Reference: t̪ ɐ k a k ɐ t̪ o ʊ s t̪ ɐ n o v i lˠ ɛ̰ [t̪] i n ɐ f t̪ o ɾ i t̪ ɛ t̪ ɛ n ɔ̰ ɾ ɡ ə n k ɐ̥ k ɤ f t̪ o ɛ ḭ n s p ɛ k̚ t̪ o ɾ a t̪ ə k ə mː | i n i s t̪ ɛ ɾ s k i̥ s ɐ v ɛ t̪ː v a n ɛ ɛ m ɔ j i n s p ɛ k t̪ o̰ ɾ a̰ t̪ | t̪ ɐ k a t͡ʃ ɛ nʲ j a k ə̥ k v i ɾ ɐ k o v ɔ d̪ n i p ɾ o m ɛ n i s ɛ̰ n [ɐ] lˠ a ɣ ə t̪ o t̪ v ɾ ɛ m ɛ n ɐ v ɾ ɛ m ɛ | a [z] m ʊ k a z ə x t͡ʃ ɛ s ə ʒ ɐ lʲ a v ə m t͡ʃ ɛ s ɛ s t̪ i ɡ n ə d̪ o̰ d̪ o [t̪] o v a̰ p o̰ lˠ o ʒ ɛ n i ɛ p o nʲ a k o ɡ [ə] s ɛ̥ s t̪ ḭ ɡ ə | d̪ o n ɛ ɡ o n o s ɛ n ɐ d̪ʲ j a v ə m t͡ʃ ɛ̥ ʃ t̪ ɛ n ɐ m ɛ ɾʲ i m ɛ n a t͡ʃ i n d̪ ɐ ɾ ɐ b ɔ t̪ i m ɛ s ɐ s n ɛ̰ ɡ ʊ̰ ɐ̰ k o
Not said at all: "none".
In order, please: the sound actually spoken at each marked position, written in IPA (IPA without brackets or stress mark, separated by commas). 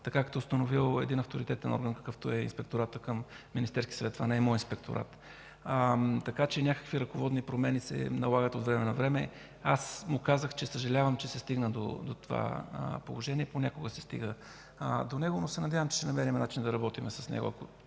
d̪, ɐ, s, t̪, ə